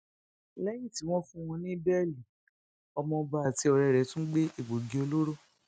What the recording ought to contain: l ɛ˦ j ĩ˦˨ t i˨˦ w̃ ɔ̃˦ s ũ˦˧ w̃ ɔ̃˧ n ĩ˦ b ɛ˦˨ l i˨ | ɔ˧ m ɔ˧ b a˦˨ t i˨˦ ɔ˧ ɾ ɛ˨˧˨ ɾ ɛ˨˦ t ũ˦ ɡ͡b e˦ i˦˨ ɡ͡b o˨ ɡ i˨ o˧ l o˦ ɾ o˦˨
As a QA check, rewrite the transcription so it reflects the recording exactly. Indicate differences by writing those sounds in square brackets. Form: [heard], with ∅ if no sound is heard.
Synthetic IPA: l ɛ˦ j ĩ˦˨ t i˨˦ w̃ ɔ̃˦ [f] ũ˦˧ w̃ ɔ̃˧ n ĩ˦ b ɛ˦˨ l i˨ | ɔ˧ m [ɔ̃˧] b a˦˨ t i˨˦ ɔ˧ ɾ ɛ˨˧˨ ɾ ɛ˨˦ t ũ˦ ɡ͡b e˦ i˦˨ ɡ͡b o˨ ɡ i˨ o˧ l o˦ ɾ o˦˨